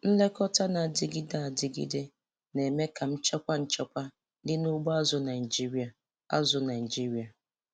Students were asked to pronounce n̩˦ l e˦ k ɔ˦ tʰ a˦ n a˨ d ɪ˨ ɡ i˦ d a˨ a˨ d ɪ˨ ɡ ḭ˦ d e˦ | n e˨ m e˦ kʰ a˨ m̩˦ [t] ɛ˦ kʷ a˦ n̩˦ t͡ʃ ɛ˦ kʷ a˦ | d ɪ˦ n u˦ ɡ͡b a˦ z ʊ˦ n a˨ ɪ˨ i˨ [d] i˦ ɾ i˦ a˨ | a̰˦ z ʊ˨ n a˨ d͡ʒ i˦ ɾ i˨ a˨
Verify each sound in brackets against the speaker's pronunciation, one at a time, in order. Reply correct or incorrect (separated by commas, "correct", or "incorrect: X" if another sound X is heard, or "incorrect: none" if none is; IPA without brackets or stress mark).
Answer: incorrect: t͡ʃ, incorrect: d͡ʒ